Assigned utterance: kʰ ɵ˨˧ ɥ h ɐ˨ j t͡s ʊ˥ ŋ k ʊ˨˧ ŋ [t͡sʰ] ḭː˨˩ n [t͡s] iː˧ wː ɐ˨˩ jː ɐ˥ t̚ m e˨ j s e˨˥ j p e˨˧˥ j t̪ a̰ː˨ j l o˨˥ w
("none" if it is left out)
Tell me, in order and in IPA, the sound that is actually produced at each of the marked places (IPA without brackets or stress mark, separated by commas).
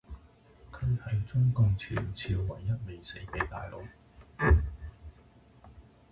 t͡sʰ, t͡sʰ